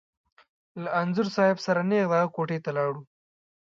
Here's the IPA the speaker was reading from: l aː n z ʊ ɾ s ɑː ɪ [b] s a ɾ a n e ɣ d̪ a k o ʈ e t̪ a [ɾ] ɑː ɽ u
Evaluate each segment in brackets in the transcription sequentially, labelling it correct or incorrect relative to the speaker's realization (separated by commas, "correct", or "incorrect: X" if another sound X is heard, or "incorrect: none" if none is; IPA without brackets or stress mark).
correct, incorrect: l